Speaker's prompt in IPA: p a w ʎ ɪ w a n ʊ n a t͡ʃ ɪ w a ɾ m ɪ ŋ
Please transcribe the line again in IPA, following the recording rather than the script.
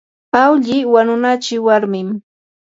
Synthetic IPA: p a w ʎ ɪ w a n ʊ n a t͡ʃ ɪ w a ɾ m ɪ m